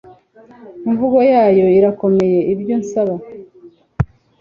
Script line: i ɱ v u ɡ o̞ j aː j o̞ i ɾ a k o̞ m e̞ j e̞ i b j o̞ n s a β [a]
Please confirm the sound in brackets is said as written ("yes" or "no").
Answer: yes